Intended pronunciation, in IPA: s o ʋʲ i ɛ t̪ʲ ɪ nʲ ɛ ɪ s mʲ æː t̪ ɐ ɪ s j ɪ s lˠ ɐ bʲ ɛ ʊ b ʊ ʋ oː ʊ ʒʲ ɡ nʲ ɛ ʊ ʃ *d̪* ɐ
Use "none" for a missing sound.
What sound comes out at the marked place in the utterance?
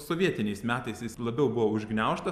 t̪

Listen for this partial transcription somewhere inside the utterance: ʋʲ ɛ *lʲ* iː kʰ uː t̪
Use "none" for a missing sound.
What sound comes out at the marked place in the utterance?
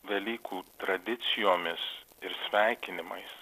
lʲ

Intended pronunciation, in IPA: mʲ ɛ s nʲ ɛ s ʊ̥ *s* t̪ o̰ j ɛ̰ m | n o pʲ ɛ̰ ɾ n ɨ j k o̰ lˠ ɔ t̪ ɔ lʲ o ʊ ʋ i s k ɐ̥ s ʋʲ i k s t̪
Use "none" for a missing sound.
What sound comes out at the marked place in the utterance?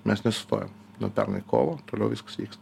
s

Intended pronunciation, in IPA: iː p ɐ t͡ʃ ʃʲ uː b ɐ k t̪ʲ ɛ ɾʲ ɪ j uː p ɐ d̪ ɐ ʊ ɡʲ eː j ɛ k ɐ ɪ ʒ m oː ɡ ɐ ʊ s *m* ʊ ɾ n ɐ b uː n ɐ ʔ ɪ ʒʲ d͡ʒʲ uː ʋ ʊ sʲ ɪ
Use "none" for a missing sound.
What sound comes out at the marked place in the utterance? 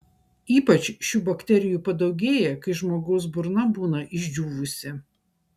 b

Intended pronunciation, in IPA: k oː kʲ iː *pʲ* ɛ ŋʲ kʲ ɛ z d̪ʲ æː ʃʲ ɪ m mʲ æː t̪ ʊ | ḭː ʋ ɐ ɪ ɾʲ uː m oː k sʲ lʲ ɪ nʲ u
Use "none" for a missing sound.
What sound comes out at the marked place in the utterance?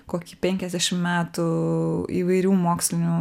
pʲ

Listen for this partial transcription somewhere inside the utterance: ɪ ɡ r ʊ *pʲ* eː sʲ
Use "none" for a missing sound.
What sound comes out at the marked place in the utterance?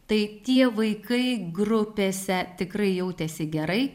pʲ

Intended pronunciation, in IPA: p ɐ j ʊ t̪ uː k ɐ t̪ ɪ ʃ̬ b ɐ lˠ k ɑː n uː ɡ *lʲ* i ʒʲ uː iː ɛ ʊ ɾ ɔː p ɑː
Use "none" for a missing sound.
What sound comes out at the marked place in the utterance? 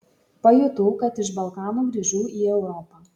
ɾʲ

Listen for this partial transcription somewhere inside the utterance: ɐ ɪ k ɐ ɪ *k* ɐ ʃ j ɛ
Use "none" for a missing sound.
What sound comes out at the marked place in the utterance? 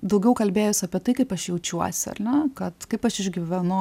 p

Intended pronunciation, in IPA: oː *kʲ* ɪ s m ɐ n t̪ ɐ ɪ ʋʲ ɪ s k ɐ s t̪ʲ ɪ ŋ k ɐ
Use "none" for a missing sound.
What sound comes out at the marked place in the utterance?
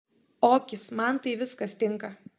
kʲ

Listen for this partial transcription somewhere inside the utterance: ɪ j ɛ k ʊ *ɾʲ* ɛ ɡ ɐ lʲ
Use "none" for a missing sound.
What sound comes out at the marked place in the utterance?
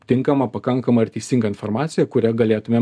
ɾʲ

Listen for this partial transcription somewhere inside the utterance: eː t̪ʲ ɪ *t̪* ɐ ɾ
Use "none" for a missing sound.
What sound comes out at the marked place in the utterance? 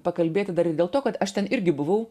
d̪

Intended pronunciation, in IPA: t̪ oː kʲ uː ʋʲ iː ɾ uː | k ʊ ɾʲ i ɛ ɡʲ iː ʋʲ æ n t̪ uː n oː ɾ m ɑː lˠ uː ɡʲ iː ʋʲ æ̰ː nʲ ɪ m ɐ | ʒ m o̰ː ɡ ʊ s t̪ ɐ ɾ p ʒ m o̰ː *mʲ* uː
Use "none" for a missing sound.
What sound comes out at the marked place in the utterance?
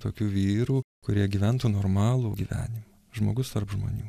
nʲ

